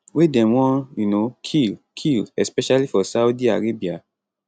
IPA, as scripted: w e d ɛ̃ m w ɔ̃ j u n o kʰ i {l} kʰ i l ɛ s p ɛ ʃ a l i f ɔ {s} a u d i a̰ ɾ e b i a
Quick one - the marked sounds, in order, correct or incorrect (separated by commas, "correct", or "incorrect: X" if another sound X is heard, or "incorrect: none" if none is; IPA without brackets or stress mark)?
correct, correct